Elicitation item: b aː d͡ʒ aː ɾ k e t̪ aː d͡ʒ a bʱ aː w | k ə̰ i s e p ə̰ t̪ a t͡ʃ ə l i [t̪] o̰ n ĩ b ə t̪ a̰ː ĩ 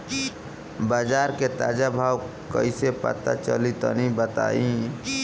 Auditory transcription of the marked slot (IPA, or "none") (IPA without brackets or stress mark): t̪